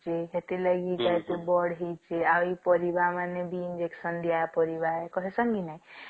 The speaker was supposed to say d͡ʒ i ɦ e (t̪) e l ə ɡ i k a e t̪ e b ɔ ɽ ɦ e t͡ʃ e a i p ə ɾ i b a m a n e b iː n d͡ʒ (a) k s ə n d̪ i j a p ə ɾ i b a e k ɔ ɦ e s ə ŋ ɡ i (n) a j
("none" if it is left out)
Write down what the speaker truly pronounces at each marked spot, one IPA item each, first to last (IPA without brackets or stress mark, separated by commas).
t̪, e, n